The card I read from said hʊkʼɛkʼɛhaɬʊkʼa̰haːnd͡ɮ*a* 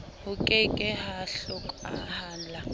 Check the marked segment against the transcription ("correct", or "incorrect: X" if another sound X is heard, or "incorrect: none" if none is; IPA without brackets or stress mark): correct